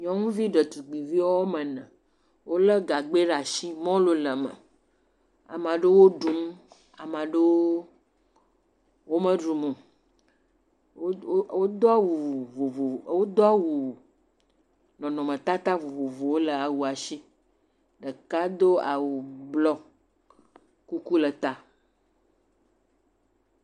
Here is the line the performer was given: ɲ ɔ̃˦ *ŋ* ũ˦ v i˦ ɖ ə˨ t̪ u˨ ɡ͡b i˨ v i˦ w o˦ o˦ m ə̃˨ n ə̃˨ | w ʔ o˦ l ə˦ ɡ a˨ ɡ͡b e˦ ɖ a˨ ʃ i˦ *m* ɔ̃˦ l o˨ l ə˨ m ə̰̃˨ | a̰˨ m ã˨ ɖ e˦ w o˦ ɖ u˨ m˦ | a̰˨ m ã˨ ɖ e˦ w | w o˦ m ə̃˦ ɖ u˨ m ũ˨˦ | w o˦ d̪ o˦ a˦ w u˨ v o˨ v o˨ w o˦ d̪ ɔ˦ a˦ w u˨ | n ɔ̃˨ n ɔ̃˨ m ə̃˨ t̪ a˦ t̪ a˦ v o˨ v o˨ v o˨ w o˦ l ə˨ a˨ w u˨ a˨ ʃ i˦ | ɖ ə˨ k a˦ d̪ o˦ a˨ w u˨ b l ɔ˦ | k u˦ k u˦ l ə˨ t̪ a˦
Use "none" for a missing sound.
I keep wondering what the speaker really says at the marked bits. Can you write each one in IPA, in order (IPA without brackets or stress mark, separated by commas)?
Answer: ŋ, m